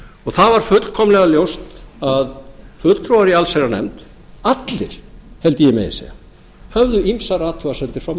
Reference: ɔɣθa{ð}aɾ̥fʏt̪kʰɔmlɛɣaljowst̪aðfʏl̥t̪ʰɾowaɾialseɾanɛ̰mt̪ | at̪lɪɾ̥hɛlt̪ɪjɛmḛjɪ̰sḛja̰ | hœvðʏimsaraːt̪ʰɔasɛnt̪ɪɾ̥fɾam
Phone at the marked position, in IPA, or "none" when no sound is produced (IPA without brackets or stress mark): v